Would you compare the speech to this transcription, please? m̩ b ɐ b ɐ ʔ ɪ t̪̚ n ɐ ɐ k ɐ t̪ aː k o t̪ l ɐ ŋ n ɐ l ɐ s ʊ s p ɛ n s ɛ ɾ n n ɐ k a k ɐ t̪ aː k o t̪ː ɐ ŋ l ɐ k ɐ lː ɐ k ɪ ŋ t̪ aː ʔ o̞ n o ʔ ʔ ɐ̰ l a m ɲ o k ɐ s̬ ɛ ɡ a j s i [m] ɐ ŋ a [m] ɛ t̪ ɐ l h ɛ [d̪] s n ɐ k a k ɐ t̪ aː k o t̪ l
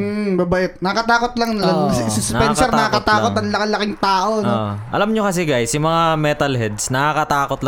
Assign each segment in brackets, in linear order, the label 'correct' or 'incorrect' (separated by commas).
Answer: correct, correct, correct